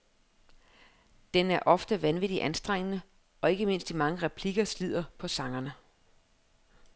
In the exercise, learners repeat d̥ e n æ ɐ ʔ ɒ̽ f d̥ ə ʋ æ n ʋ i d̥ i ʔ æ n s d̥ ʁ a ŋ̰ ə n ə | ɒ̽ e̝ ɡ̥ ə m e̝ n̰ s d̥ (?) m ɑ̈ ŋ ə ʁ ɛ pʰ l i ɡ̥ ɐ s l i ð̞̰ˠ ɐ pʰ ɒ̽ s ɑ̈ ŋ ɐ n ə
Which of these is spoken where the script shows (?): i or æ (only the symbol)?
i